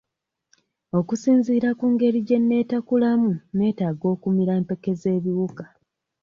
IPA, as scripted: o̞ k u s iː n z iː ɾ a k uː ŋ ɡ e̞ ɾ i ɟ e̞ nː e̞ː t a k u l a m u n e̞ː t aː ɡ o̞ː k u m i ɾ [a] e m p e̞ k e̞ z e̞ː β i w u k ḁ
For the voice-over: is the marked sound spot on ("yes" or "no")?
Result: yes